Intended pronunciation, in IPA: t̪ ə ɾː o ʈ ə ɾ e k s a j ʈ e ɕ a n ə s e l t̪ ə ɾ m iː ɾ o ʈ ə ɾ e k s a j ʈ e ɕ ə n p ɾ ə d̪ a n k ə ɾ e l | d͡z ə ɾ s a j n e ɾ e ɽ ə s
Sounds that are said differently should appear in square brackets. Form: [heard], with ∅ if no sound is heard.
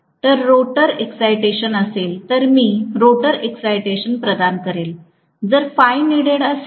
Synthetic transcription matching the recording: t̪ ə ɾː o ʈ ə ɾ e k s a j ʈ e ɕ [ə] n ə s e l t̪ ə ɾ m iː ɾ o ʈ ə ɾ e k s a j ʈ e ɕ ə n p ɾ ə d̪ a n k ə ɾ e l | d͡z ə ɾ [f] a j n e [ɽ] e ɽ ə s